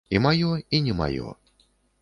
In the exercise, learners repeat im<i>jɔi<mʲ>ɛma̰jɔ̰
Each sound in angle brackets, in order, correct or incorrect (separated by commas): incorrect, incorrect